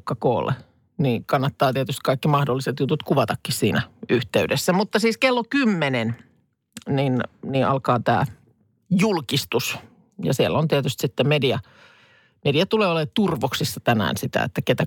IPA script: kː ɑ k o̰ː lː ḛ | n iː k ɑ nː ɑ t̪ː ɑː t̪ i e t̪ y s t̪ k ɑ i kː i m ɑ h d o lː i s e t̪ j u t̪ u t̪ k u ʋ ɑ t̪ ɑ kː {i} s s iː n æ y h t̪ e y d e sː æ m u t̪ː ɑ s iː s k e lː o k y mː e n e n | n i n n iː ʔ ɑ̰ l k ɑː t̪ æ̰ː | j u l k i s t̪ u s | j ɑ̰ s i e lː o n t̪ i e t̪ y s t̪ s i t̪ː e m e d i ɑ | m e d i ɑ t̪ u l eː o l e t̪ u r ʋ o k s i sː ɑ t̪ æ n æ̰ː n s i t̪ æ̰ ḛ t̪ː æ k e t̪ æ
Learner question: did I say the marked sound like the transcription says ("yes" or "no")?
yes